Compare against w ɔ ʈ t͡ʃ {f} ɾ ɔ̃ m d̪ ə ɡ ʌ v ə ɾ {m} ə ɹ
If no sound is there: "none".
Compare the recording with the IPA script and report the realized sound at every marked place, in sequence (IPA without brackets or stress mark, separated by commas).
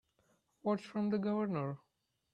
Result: f, n